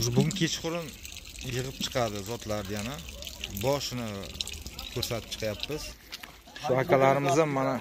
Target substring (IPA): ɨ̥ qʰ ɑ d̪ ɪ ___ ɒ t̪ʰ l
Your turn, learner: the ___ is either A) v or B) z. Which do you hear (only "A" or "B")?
B